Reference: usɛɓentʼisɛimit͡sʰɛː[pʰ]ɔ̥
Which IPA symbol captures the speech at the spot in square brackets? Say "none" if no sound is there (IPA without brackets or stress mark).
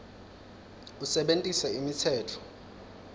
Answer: tʰ